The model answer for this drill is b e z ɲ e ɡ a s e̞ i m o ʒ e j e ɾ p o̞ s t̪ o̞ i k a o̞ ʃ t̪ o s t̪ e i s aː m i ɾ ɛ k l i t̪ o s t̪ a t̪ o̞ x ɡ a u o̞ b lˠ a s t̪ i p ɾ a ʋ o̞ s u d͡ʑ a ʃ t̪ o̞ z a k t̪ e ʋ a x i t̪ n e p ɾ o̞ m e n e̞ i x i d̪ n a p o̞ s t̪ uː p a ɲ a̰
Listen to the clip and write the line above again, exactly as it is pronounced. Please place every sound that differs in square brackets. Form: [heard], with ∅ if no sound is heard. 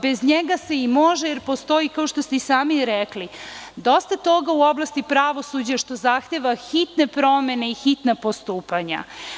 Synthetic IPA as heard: b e z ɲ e ɡ a s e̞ i m o ʒ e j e ɾ p o̞ s t̪ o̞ i k a o̞ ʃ t̪ o s t̪ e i s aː m i ɾ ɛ k l i [d̪] o s t̪ a t̪ o̞ [∅] ɡ a u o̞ b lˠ a s t̪ i p ɾ a ʋ o̞ s u d͡ʑ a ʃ t̪ o̞ z a [x] t̪ e ʋ a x i t̪ n e p ɾ o̞ m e n e̞ i x i [t̪] n a p o̞ s t̪ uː p a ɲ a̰